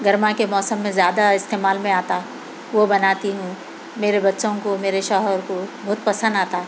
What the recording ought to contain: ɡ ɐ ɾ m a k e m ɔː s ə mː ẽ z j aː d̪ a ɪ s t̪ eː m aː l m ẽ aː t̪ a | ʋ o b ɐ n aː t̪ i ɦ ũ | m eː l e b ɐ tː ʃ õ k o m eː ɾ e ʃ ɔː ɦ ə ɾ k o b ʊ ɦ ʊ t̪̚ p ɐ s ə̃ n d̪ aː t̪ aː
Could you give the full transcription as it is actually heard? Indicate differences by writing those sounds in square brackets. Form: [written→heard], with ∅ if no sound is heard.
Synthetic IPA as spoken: ɡ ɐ ɾ m a k e m ɔː s ə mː ẽ z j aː d̪ a ɪ s t̪ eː m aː l m ẽ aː t̪ a | ʋ o b ɐ n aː t̪ i ɦ ũ | m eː [l→ɾ] e b ɐ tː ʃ õ k o m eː ɾ e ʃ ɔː ɦ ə ɾ k o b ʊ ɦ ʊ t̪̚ p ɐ s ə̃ n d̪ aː t̪ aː